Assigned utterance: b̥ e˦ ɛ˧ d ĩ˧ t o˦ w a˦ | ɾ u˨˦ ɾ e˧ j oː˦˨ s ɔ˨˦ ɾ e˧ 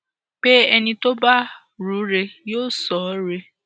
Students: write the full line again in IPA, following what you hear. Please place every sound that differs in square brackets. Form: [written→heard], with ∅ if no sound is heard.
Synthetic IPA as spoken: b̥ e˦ ɛ˧ [d→n] ĩ˧ t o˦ [w→b] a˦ | ɾ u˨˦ ɾ e˧ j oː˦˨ s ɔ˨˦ ɾ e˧